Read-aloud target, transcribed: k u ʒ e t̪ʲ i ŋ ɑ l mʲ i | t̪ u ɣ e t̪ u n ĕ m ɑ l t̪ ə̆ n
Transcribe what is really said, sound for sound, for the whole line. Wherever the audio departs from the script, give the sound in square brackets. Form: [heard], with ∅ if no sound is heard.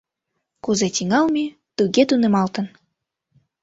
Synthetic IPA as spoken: k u [z] e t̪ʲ i ŋ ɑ l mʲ i | t̪ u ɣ e t̪ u n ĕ m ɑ l t̪ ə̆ n